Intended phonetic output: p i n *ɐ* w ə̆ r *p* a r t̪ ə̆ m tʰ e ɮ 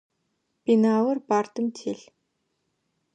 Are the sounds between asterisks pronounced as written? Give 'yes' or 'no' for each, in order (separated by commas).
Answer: no, yes